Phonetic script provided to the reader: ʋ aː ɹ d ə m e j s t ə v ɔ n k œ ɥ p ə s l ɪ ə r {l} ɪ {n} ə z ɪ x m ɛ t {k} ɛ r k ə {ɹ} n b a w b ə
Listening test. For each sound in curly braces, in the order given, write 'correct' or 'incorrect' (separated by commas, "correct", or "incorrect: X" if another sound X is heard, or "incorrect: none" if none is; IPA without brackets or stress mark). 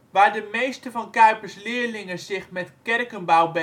correct, incorrect: ŋ, correct, incorrect: none